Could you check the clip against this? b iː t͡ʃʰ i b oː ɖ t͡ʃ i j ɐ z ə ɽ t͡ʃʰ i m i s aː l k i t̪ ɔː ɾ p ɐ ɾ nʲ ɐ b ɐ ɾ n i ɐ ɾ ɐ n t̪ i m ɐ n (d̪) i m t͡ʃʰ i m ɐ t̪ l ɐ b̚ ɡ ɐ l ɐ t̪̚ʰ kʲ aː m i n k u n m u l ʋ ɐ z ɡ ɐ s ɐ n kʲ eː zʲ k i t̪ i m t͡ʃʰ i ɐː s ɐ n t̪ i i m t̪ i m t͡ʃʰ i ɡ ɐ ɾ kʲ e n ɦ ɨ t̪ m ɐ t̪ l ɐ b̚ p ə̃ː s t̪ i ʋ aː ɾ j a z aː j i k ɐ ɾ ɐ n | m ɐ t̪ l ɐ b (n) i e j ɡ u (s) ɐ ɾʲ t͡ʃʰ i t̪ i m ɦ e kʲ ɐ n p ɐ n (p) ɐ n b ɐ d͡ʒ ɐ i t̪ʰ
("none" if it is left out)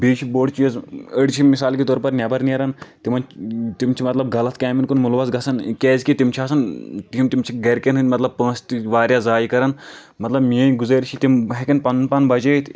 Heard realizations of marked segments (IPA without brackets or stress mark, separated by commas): t̪, m, z, p